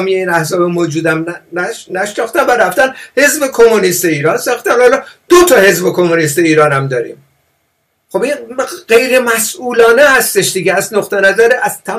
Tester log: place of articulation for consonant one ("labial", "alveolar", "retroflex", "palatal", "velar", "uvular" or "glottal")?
labial